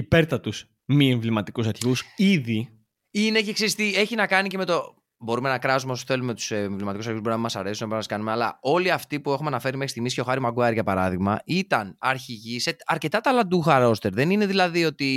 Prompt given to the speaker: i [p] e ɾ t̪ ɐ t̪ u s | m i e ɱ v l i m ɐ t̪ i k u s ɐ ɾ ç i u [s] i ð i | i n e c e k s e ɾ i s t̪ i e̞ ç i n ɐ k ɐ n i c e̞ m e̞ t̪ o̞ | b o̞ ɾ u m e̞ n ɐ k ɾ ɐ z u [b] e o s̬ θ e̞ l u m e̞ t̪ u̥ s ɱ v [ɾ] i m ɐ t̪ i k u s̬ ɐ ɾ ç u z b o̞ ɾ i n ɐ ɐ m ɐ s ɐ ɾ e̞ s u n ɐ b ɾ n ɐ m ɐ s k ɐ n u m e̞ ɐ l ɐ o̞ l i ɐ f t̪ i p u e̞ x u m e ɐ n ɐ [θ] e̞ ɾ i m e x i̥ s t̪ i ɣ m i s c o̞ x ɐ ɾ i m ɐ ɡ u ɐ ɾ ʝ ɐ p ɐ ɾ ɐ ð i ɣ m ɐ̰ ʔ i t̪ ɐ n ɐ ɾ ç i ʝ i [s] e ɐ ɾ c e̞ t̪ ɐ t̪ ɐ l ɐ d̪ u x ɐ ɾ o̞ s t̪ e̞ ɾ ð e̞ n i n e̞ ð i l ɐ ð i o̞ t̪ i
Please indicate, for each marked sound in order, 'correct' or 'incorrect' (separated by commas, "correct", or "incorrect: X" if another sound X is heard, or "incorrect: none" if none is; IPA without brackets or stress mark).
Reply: correct, correct, incorrect: m, incorrect: l, incorrect: f, correct